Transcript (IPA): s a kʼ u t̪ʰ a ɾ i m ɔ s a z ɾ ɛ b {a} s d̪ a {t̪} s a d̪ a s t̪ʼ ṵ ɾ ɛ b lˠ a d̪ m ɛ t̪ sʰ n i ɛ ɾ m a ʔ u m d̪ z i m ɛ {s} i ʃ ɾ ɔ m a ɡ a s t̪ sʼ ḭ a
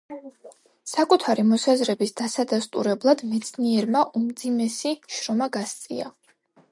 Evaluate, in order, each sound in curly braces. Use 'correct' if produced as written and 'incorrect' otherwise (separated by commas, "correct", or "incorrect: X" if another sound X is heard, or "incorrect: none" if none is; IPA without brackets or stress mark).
incorrect: i, incorrect: none, correct